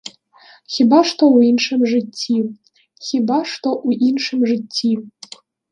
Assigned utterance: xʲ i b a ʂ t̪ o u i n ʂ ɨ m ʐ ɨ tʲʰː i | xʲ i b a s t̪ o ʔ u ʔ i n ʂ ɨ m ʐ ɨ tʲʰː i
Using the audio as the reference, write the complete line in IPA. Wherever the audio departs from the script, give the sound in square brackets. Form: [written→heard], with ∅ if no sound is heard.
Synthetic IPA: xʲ i b a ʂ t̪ o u i n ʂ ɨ m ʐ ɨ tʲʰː i | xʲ i b a [s→ʂ] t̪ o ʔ u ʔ i n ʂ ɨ m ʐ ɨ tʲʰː i